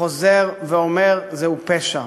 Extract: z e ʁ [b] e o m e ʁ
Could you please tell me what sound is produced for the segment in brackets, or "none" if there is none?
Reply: v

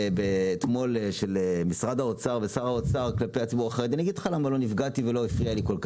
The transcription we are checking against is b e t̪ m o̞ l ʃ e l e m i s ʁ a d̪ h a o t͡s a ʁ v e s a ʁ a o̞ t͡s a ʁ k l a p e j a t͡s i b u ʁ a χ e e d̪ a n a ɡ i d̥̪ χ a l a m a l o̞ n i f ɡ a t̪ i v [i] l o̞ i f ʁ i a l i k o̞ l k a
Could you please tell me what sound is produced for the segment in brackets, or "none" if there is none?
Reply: e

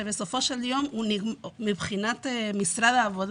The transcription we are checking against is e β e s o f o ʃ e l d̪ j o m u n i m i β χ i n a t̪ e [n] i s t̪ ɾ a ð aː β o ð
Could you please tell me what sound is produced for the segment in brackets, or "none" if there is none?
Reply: m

